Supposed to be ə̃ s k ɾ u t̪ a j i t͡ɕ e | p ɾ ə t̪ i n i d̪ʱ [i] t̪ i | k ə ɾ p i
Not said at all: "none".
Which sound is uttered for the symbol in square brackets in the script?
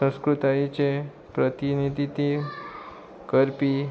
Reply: i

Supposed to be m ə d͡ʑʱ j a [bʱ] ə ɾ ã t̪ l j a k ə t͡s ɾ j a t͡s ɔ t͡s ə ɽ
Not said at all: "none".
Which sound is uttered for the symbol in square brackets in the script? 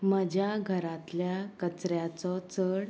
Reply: ɡʱ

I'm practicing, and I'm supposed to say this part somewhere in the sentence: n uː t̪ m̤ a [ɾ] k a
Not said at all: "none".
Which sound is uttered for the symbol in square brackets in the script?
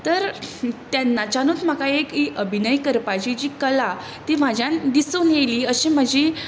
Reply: none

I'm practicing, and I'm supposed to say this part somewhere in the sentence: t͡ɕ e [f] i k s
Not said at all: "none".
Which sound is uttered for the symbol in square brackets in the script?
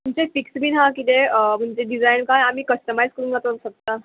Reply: f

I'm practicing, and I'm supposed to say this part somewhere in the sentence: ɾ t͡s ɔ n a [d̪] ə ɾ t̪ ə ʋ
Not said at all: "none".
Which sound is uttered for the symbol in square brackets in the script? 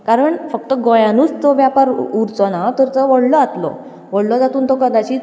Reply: t̪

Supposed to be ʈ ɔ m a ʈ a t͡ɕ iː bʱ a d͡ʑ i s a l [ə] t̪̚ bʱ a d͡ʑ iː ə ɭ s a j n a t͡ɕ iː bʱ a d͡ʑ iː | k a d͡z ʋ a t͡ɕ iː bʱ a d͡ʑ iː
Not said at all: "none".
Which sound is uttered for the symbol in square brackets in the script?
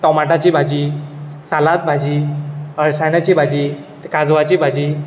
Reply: a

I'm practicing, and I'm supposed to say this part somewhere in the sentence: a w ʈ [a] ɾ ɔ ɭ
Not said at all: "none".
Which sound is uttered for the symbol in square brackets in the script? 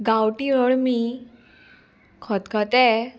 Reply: i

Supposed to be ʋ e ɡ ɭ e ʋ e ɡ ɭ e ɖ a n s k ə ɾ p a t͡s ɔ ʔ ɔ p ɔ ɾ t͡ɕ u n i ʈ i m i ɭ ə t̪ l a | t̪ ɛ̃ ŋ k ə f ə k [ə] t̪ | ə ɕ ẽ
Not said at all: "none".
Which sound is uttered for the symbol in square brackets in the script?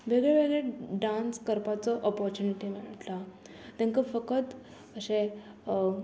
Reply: ə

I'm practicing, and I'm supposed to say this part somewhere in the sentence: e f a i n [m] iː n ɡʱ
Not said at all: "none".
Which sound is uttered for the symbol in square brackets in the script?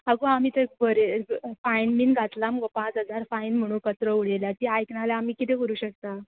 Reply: m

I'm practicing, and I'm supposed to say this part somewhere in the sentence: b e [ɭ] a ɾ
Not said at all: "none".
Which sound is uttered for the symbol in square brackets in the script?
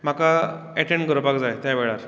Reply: ɭ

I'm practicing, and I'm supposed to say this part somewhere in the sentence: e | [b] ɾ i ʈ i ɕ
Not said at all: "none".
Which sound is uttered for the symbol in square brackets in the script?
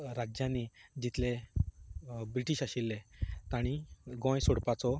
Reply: b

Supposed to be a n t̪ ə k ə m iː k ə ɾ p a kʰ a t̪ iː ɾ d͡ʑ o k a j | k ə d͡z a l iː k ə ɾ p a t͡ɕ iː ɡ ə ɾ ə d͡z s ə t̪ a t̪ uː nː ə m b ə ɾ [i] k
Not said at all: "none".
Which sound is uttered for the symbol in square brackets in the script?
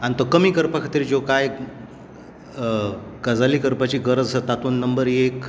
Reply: e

